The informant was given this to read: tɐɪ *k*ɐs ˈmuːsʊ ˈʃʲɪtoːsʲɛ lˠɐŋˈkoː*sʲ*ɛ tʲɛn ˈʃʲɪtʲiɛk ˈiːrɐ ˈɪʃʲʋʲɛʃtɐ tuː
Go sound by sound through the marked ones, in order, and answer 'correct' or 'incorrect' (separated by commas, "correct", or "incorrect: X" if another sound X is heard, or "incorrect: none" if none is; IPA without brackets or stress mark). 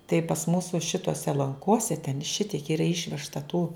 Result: incorrect: p, correct